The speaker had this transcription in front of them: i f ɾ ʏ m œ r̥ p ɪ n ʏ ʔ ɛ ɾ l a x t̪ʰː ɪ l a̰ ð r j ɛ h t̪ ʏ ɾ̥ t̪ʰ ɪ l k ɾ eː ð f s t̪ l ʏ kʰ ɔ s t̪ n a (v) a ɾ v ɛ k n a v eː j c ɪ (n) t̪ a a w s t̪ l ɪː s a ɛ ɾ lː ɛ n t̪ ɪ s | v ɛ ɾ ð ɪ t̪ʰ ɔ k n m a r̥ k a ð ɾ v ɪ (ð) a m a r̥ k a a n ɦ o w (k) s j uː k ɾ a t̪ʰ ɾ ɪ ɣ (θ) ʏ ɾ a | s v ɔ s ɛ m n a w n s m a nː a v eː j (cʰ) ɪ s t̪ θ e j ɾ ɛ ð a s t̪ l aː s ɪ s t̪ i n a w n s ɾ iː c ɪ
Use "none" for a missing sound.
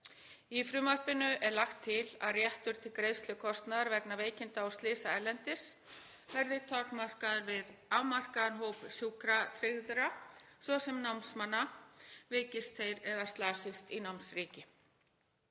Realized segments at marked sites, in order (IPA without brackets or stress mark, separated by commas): ð, n, ð, p, ð, c